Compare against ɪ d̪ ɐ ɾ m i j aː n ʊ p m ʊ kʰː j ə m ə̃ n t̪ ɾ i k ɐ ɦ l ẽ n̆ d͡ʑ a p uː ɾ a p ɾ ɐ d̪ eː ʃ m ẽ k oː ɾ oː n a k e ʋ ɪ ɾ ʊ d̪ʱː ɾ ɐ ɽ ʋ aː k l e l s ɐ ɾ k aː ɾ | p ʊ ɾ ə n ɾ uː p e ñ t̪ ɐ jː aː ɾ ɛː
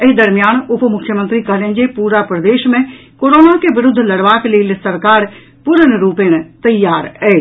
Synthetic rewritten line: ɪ d̪ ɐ ɾ m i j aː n ʊ p m ʊ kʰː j ə m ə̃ n t̪ ɾ i k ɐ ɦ l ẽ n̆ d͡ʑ e p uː ɾ a p ɾ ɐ d̪ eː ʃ m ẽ k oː ɾ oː n a k e ʋ ɪ ɾ ʊ d̪ʱː l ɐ ɽ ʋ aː k l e l s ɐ ɾ k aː ɾ | p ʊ ɾ ə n ɾ uː p e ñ t̪ ɐ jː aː ɾ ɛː